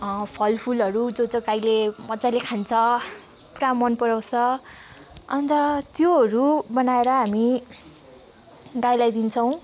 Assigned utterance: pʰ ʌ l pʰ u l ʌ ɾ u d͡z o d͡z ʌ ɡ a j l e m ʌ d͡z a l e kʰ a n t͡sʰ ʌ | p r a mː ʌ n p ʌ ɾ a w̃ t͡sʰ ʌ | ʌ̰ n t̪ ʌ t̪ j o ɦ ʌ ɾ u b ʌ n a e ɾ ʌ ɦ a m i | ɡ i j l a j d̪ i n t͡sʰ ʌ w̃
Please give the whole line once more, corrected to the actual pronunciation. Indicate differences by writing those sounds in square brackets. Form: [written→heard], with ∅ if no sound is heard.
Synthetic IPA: pʰ ʌ l pʰ u l ʌ ɾ u d͡z o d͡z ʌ ɡ a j l e m ʌ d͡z a l e kʰ a n t͡sʰ ʌ | p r a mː ʌ n p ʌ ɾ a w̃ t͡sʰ ʌ | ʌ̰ n t̪ ʌ t̪ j o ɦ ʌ ɾ u b ʌ n a e ɾ ʌ ɦ a m i | ɡ [i→a] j l a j d̪ i n t͡sʰ ʌ w̃